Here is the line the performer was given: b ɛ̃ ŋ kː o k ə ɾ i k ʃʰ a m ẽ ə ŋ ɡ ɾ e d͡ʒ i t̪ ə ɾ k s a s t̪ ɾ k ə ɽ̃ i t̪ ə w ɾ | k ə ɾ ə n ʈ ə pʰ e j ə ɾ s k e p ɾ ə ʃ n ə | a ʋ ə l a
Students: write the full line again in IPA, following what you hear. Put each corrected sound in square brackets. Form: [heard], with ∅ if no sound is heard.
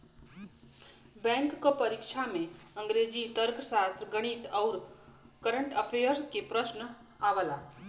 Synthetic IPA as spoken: b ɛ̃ ŋ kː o [p] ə ɾ i k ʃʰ a m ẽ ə ŋ ɡ ɾ e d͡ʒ i t̪ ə ɾ k s a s t̪ ɾ [ɡ] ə ɽ̃ i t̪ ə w ɾ | k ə ɾ ə [ɳ] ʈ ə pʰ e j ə ɾ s k e p ɾ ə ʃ n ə | a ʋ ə l a